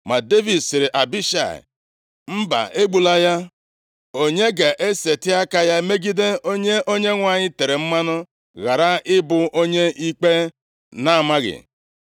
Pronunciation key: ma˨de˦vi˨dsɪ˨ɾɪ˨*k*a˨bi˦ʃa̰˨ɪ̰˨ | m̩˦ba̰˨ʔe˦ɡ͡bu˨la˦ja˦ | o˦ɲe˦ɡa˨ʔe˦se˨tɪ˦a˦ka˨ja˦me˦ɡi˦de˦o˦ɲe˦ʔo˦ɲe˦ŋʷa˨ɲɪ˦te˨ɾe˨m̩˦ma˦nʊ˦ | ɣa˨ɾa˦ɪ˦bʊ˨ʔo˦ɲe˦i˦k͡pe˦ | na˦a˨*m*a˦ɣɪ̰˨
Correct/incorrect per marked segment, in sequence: incorrect: ʔ, correct

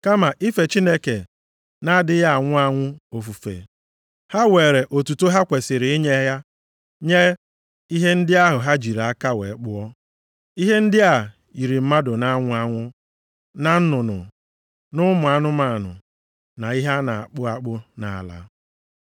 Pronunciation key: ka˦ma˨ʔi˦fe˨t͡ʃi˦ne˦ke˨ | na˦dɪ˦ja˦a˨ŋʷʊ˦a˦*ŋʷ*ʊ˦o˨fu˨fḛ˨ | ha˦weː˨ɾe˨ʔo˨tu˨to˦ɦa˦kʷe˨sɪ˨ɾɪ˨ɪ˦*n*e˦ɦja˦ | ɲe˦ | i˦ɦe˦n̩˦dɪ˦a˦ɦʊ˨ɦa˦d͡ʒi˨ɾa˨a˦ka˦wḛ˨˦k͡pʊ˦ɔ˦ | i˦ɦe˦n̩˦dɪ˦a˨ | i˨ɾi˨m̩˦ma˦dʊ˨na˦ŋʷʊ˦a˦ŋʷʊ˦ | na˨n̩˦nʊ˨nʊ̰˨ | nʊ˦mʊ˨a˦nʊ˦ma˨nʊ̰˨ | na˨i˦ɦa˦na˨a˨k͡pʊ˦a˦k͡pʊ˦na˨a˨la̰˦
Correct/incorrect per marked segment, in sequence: correct, incorrect: ɲ

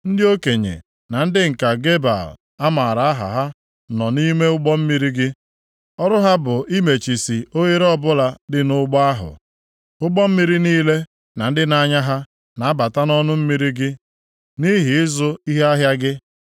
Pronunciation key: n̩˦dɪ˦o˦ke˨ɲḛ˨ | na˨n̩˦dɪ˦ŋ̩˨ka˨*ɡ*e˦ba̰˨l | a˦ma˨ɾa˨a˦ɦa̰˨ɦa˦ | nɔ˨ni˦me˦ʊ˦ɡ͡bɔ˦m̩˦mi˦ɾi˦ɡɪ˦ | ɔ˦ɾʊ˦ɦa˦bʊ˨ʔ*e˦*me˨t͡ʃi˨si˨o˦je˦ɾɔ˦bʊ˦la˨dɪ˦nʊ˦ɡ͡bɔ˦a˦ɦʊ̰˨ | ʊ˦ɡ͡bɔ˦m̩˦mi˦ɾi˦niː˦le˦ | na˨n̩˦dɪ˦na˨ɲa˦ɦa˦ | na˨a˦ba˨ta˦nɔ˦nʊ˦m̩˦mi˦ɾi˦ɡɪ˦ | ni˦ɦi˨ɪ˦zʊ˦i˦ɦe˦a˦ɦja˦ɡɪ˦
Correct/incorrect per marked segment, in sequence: correct, incorrect: i˦

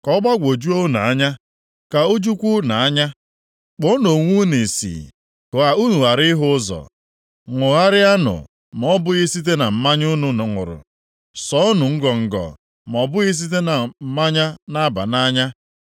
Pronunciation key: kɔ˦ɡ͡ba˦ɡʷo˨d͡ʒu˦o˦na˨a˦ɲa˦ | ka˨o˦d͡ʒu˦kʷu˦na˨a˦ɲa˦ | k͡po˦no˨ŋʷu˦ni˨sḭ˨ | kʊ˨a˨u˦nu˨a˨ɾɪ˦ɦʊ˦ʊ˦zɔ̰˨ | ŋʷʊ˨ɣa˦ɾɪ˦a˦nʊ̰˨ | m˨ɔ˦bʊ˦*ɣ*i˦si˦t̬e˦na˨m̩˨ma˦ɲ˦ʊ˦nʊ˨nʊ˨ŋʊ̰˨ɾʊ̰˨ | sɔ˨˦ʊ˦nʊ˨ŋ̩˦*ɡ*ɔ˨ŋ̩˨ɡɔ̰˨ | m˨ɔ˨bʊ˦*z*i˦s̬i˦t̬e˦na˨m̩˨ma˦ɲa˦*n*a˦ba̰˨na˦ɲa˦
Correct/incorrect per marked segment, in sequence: correct, correct, incorrect: ɣ, correct

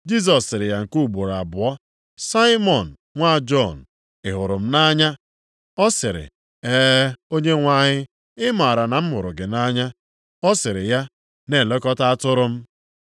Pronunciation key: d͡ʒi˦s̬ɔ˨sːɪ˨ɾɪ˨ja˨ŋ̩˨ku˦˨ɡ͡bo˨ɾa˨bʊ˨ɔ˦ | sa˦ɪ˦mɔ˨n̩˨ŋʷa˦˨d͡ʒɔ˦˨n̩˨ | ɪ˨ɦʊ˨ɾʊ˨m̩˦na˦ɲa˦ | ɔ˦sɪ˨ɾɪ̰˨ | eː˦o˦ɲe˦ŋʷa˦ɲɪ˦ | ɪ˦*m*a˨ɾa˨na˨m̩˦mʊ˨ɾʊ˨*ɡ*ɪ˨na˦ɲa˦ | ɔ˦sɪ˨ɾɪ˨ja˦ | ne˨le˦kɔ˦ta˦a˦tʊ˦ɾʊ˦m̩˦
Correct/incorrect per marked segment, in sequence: correct, correct

